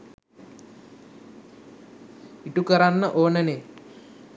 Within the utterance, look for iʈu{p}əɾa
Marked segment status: incorrect: k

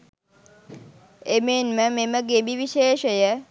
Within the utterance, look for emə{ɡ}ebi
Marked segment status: correct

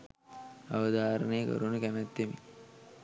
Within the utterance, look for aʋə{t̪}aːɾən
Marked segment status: incorrect: d̪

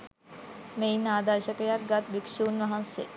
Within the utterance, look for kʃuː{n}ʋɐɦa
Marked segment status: correct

